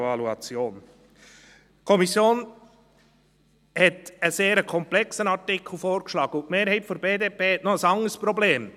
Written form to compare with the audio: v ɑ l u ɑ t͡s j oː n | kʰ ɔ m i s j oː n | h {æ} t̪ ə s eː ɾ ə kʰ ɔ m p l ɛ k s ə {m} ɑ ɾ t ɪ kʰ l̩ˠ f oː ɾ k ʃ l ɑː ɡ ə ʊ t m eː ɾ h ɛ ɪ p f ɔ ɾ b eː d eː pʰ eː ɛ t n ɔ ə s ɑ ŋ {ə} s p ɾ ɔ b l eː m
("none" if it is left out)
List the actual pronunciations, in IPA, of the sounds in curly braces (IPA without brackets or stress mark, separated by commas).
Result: ɛ, n, ə